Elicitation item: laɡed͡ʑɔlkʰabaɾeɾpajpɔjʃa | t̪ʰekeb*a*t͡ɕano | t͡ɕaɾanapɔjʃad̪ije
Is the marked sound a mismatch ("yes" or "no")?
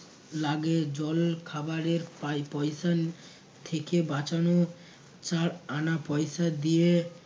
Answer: no